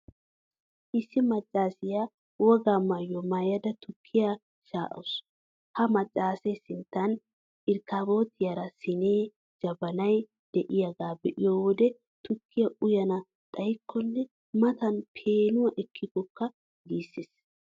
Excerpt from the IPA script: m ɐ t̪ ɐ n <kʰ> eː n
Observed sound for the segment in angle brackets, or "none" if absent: pʰ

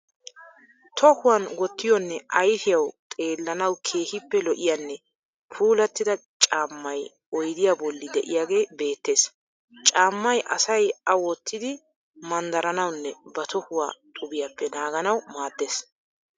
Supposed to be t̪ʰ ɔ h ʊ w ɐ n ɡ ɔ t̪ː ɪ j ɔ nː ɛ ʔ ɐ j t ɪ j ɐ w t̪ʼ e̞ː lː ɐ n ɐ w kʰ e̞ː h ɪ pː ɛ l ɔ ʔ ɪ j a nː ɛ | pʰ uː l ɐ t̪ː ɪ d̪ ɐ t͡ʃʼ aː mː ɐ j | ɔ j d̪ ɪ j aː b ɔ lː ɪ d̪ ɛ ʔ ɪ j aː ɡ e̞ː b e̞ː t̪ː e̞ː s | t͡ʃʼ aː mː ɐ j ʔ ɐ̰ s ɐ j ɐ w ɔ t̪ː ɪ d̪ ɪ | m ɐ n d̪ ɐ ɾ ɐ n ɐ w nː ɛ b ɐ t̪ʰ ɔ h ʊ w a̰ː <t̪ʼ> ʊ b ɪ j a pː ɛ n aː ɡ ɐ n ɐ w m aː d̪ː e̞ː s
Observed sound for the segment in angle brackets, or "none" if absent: t̪ʼ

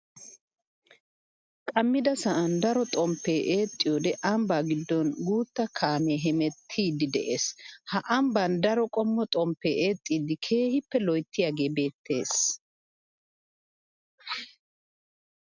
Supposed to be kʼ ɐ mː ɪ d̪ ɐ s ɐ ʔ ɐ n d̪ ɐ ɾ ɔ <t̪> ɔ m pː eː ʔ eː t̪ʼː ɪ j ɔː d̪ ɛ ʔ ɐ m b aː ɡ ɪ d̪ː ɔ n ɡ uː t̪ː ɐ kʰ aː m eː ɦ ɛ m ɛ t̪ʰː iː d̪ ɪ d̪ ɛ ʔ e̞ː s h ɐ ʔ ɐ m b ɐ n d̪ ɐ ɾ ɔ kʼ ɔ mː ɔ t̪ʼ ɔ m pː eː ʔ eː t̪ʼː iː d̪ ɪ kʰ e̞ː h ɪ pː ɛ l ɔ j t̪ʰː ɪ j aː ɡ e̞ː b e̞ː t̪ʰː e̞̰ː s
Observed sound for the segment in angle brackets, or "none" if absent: t̪ʼ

